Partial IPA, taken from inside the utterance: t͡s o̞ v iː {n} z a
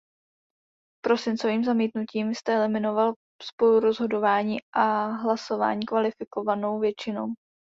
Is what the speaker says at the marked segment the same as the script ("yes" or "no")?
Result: no